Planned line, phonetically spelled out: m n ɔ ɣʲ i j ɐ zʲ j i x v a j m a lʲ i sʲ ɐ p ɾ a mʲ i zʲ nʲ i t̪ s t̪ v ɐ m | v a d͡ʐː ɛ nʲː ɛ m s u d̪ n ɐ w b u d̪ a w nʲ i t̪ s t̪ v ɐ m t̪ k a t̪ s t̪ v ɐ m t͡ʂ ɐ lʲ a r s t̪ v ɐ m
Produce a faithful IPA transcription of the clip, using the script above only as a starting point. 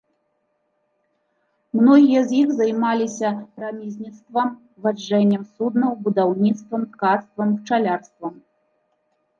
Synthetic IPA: m n ɔ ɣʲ i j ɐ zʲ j i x z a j m a lʲ i sʲ ɐ p ɾ a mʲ i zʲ nʲ i t̪ s t̪ v ɐ m | v a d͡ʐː ɛ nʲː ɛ m s u d̪ n ɐ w b u d̪ a w nʲ i t̪ s t̪ v ɐ m t̪ k a t̪ s t̪ v ɐ m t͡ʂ a lʲ a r s t̪ v ɐ m